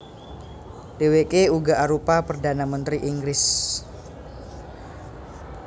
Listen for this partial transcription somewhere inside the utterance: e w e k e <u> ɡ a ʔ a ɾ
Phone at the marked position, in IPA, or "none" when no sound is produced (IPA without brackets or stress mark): u